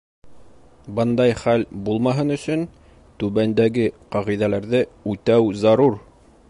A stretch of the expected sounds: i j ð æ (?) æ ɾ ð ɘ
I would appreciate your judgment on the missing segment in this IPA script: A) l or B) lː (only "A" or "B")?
A